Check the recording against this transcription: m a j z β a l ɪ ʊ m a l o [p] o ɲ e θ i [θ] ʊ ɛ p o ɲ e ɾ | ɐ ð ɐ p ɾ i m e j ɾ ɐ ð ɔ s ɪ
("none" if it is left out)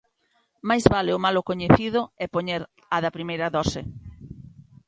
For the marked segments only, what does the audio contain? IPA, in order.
k, ð

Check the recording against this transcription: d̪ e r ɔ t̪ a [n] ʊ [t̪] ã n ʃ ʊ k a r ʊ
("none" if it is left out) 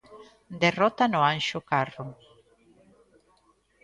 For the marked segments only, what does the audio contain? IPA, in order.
n, none

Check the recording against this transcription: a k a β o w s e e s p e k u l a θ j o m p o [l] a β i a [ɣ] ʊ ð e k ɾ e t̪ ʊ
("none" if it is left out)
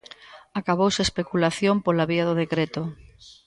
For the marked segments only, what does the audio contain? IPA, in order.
l, ð

